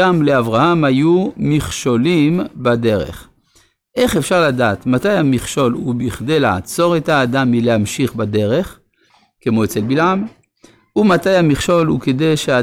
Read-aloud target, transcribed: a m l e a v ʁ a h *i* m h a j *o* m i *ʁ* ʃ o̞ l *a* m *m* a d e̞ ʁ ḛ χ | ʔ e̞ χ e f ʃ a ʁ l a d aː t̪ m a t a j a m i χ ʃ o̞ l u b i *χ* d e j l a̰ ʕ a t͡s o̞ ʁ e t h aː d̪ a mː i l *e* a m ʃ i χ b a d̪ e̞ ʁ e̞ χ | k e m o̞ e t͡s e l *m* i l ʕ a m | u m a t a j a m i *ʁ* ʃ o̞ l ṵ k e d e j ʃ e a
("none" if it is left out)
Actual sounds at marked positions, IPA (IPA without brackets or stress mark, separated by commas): a, u, χ, i, b, χ, e, b, χ